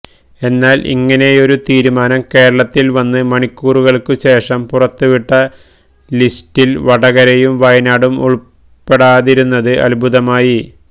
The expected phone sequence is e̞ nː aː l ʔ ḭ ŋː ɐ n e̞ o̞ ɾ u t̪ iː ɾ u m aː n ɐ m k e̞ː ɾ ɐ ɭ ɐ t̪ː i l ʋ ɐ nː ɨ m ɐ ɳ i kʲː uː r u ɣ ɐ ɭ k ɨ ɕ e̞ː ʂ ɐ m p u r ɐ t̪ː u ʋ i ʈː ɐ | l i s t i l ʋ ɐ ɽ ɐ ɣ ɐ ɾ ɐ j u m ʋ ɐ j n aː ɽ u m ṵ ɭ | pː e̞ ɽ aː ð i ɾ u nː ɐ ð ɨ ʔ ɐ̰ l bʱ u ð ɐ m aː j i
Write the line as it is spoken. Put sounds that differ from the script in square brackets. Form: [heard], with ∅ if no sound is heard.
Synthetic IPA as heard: e̞ nː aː l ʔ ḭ ŋː ɐ n e̞ o̞ ɾ u t̪ iː ɾ u m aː n ɐ m k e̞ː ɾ ɐ ɭ ɐ t̪ː i l ʋ ɐ nː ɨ m ɐ ɳ i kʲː uː r u ɣ ɐ ɭ k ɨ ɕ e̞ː ʂ ɐ m p u r ɐ t̪ː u ʋ i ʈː ɐ | l i s t i l ʋ ɐ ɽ ɐ ɣ ɐ ɾ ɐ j u m ʋ ɐ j n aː ɽ u m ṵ ɭ | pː e̞ ɽ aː ð i ɾ u nː ɐ ð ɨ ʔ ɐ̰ l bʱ u ð ɐ m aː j i